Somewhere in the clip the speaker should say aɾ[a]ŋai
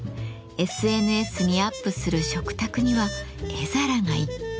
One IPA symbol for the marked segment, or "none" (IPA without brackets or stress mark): a